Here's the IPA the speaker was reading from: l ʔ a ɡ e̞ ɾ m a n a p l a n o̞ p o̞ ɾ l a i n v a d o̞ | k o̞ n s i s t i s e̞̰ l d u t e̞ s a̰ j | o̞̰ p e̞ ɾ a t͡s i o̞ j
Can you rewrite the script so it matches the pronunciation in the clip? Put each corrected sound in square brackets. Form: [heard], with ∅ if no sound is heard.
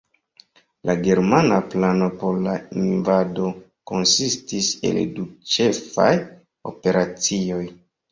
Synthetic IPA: l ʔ a ɡ e̞ ɾ m a n a p l a n o̞ p o̞ ɾ l a i n v a d o̞ | k o̞ n s i s t i s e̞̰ l d u [t͡ʃ] e̞ [f] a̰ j | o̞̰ p e̞ ɾ a t͡s i o̞ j